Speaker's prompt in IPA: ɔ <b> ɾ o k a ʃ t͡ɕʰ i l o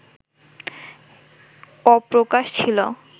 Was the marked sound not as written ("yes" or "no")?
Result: yes